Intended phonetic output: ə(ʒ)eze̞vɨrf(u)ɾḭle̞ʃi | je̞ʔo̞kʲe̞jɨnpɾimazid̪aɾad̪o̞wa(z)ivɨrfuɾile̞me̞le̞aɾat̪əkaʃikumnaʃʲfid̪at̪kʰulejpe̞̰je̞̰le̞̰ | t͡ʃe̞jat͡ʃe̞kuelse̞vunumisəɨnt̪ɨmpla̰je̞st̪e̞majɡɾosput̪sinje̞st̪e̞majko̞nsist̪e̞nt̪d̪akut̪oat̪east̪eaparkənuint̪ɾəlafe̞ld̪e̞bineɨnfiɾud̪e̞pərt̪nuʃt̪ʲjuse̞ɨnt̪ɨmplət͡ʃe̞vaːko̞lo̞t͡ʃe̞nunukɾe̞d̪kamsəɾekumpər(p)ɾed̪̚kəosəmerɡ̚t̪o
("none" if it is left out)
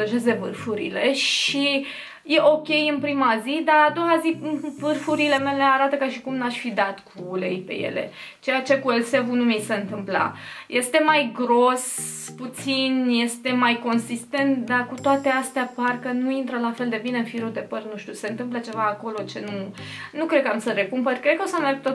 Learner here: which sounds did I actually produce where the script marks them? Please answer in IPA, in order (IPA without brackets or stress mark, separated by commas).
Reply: ʒ, u, z, k